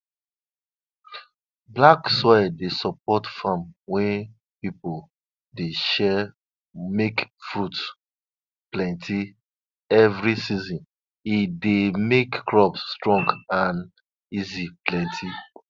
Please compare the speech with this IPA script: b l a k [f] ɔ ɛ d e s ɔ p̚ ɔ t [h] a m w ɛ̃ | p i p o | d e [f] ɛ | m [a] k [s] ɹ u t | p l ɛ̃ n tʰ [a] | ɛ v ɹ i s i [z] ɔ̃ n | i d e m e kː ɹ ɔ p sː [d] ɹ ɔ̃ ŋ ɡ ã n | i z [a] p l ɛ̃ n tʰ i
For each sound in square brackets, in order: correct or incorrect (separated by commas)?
incorrect, incorrect, incorrect, incorrect, incorrect, incorrect, correct, incorrect, incorrect